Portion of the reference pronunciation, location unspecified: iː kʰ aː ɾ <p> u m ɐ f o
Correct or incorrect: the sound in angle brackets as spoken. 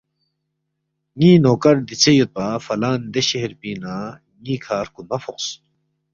incorrect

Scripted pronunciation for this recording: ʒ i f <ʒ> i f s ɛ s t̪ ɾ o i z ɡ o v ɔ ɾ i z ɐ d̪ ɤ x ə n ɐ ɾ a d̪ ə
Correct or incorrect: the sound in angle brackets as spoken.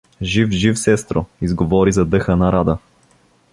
correct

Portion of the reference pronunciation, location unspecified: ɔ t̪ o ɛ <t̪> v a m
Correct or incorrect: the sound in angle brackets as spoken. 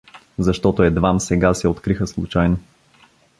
incorrect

